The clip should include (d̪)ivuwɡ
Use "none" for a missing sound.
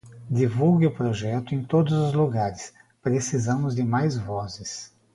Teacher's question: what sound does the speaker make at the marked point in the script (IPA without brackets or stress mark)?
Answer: d̪